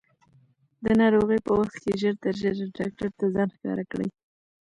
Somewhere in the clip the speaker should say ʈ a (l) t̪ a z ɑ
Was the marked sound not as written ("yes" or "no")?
yes